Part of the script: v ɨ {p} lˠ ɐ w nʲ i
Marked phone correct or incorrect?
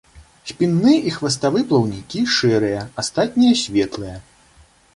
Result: correct